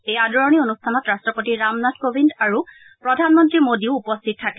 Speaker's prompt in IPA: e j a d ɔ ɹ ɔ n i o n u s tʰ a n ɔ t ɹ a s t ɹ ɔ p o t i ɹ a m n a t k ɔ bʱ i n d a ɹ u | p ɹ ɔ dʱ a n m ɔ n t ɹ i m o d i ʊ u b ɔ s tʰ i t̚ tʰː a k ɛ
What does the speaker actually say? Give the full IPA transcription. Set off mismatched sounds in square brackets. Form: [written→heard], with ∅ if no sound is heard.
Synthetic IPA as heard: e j a d ɔ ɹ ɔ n i o n u s tʰ a n ɔ t ɹ a s t ɹ ɔ p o t i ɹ a m n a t k [ɔ→o] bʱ i n d a ɹ u | p ɹ ɔ dʱ a n m ɔ n t ɹ i m o d i ʊ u [b→p] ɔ s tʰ i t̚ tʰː a k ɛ